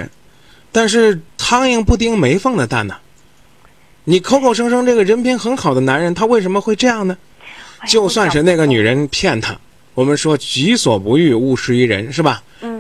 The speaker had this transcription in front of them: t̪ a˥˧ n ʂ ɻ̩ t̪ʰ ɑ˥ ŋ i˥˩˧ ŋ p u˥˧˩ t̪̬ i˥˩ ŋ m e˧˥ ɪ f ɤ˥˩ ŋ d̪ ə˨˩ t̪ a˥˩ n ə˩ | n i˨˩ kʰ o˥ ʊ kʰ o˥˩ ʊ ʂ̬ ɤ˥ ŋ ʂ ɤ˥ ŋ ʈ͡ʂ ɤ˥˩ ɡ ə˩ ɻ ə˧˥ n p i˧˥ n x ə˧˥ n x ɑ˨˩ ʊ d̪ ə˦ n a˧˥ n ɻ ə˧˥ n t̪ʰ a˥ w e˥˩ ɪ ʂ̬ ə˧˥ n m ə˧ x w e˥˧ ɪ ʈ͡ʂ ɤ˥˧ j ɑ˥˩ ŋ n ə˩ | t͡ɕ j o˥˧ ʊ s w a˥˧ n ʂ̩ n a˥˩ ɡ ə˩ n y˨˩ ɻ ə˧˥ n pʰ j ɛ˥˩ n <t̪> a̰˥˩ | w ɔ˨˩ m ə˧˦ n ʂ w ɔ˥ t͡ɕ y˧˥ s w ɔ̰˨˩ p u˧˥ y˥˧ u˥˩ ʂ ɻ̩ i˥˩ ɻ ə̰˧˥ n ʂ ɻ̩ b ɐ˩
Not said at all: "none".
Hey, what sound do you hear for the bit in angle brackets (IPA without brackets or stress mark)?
t̪ʰ